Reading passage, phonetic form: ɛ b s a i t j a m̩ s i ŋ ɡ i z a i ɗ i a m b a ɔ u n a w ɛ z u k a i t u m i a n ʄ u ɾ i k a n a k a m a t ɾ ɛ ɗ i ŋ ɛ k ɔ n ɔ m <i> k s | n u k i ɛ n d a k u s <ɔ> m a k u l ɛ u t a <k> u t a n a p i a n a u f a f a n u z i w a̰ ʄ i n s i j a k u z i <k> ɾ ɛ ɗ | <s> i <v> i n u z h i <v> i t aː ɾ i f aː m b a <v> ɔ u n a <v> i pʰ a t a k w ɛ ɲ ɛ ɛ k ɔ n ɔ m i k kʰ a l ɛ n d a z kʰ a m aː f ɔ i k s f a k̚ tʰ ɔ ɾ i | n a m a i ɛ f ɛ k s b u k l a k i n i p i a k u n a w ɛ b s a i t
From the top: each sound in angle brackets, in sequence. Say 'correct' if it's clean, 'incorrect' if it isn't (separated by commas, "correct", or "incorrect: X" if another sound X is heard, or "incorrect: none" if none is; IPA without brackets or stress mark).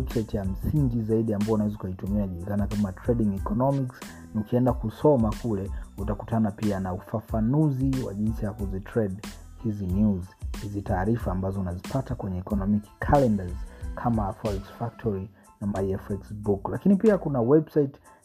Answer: correct, correct, correct, incorrect: t, incorrect: h, incorrect: z, incorrect: z, incorrect: z, incorrect: z